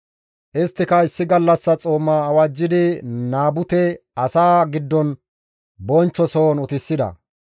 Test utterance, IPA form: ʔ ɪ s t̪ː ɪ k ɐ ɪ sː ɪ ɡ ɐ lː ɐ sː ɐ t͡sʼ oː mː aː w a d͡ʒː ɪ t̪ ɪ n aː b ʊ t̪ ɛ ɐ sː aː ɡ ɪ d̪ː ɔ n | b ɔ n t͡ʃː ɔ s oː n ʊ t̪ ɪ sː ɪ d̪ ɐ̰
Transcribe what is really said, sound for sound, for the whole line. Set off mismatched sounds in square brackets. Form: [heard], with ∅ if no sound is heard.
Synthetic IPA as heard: ʔ ɪ s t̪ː ɪ k ɐ ɪ sː ɪ ɡ ɐ lː ɐ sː ɐ t͡sʼ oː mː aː w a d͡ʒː ɪ [d̪] ɪ n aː b ʊ t̪ ɛ ɐ [s] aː ɡ ɪ d̪ː ɔ n | b ɔ n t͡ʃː ɔ s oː n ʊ t̪ ɪ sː ɪ d̪ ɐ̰